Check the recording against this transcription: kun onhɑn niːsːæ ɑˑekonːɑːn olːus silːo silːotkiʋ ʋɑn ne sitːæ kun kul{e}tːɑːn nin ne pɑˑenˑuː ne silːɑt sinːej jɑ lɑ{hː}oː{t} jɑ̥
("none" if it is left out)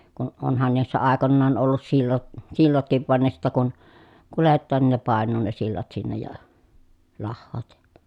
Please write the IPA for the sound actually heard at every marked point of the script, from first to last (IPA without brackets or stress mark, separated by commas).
e, hː, t